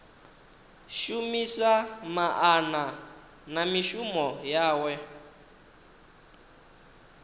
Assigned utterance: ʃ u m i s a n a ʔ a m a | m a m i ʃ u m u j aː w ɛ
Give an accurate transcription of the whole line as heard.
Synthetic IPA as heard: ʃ u m i s a m a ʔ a n a | n a m i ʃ u m ɔ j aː w ɛ